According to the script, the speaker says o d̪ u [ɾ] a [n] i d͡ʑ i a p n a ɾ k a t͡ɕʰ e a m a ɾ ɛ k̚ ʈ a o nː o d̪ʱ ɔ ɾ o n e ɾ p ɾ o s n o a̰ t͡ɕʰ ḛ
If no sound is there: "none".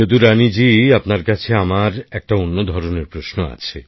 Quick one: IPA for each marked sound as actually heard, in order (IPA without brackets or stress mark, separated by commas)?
ɾ, n